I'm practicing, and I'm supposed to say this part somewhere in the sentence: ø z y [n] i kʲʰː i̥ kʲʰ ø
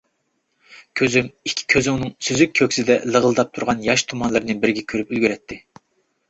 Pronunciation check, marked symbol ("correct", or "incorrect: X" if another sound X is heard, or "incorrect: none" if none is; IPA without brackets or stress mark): incorrect: m